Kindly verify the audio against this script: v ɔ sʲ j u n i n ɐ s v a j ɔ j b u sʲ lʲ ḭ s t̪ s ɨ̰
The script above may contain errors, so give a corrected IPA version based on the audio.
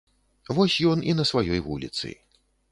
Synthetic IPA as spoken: v ɔ sʲ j ɔ n i n ɐ s v a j ɔ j v u lʲ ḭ t̪ s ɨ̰